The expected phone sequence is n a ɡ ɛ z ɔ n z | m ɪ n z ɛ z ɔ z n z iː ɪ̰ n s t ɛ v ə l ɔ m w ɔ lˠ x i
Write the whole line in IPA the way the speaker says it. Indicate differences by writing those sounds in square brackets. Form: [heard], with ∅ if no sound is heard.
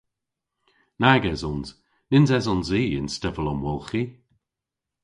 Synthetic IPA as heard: n a ɡ ɛ z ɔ n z | [n] ɪ n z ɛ z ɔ [∅] n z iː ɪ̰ n s t ɛ v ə l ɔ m w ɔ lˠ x i